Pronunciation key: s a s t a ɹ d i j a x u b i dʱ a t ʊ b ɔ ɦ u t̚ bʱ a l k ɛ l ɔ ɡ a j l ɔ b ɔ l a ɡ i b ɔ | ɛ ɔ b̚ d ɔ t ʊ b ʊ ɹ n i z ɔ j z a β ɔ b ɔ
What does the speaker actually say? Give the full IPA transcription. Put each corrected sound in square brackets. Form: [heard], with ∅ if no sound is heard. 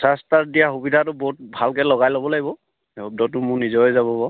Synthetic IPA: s a s t a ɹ d i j a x u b i dʱ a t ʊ b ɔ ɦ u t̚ bʱ a l k ɛ l ɔ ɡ a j l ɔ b ɔ l a ɡ i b ɔ | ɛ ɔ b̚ d ɔ t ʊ [m] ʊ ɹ n i z ɔ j z a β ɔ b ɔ